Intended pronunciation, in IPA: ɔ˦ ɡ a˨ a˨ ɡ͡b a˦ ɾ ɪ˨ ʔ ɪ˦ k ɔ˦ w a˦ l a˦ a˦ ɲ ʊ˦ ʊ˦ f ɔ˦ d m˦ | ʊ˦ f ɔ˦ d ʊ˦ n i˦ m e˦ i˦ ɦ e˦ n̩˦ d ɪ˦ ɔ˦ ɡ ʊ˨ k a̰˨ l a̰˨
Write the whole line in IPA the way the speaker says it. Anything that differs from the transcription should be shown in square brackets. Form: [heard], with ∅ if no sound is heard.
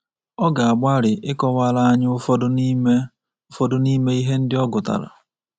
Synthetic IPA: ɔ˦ ɡ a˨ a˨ ɡ͡b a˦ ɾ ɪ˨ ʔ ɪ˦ k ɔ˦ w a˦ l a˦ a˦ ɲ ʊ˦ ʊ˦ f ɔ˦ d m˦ | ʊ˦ f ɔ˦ d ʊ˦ n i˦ m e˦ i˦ ɦ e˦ n̩˦ d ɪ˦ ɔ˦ ɡ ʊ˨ [t] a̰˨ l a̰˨